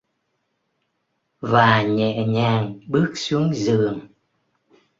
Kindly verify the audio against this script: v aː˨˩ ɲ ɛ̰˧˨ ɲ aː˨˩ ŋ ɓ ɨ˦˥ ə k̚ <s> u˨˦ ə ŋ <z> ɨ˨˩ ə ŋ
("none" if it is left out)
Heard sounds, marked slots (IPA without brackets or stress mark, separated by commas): s, z